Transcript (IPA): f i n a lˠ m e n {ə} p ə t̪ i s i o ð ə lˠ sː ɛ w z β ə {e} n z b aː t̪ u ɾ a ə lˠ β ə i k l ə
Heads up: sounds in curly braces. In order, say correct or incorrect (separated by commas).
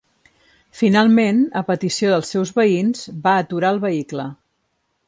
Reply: correct, incorrect